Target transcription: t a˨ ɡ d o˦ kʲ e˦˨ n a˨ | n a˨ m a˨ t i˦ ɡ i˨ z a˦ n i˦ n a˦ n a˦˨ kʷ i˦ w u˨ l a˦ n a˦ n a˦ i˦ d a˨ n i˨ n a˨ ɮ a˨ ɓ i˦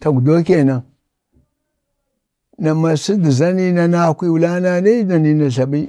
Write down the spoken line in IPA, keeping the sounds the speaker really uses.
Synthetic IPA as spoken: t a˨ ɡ d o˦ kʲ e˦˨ n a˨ | n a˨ m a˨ s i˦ d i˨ z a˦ n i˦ n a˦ n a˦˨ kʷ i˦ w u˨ l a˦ n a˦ n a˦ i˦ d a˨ n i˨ n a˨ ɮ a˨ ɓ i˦